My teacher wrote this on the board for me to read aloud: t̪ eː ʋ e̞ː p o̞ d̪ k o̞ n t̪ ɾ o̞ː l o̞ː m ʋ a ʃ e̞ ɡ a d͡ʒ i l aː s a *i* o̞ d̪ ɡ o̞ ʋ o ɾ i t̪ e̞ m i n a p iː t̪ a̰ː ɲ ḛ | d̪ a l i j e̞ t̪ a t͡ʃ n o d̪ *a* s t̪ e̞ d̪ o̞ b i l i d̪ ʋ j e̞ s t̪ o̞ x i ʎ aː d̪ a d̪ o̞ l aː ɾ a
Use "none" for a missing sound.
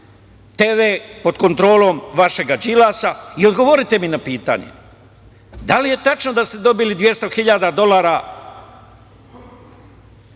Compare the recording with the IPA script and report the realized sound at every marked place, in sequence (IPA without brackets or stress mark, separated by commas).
i, a